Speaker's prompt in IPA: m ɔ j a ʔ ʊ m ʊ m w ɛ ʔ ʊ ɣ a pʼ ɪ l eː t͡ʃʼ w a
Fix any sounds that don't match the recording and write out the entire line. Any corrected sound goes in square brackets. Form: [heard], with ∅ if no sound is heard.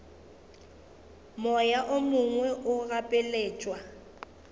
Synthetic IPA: m ɔ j a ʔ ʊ m ʊ [ŋ] w ɛ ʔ ʊ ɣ a pʼ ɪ l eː t͡ʃʼ w a